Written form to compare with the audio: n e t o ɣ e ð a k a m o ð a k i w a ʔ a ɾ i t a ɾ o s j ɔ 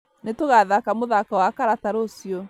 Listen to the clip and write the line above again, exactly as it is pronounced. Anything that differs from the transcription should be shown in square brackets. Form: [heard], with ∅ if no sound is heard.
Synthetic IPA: n e t o ɣ [a] ð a k a m o ð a k [a] w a [k] a ɾ [a] t a ɾ o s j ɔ